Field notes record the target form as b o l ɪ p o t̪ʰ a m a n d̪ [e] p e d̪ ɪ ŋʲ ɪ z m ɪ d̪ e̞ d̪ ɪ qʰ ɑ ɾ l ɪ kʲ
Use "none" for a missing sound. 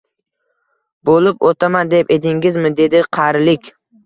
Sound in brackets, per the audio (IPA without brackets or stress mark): e